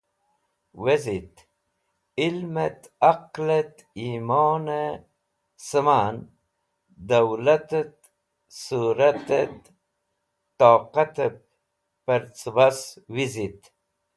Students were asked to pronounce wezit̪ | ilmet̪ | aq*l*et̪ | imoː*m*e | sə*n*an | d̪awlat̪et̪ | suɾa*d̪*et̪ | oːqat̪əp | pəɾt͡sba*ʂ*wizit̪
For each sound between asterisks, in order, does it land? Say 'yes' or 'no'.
yes, no, no, no, no

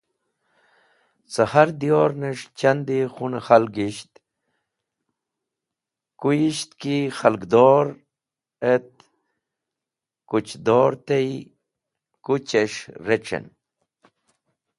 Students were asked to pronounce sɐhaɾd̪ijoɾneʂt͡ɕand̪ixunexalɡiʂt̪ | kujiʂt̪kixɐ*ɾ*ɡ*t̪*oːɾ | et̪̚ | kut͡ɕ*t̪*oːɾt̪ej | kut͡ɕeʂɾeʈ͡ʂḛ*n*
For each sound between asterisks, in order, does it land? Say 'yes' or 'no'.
no, no, no, yes

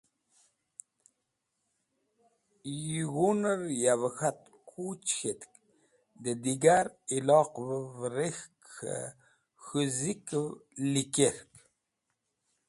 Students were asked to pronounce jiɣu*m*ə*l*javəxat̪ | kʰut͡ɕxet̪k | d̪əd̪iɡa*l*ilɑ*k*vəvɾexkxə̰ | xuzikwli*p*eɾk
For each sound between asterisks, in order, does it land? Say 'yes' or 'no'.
no, no, no, no, no

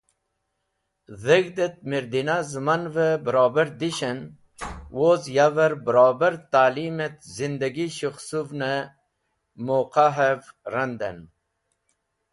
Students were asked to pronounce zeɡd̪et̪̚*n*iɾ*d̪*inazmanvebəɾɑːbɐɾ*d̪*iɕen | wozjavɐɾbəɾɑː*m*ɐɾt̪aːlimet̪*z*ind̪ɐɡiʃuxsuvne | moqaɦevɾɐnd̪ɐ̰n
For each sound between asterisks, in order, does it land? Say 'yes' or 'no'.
no, yes, yes, no, yes

